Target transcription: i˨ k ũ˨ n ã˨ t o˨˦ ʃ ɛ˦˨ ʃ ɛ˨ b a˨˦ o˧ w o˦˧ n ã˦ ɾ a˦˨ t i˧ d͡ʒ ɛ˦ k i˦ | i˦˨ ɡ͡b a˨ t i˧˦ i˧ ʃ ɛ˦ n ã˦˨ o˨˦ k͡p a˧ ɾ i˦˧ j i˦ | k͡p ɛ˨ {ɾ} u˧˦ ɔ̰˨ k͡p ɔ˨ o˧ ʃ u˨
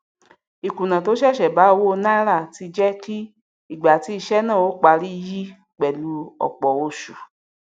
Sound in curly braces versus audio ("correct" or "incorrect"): incorrect